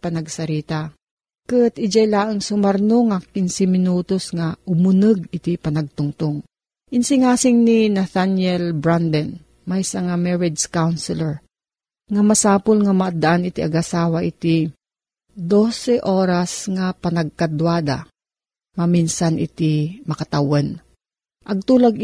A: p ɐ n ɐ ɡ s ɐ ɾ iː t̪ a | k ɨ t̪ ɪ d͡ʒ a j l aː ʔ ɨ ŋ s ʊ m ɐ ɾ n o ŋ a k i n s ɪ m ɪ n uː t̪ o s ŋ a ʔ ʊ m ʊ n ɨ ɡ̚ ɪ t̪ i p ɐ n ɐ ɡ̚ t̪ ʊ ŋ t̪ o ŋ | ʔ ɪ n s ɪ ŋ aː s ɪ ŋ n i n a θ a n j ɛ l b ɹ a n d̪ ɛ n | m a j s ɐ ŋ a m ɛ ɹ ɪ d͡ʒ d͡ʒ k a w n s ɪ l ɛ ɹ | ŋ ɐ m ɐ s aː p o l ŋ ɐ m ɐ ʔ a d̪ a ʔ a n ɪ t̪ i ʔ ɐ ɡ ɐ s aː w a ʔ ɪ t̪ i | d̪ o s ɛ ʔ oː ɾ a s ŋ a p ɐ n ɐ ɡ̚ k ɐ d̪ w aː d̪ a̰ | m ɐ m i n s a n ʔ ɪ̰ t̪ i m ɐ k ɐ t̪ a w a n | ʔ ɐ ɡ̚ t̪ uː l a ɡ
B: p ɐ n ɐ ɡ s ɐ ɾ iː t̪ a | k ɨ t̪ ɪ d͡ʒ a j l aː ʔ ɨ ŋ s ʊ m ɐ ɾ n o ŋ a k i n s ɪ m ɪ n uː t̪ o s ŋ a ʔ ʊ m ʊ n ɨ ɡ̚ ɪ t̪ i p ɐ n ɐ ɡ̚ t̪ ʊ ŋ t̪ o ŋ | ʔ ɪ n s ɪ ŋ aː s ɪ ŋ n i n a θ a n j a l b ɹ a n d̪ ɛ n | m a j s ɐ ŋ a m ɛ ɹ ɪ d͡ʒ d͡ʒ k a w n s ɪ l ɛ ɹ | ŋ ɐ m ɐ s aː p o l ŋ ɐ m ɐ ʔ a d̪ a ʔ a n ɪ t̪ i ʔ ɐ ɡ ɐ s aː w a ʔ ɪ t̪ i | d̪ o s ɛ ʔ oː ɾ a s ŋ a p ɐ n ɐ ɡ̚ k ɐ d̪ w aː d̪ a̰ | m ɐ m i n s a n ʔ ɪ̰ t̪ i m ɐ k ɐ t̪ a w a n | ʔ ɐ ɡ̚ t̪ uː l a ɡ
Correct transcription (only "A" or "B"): A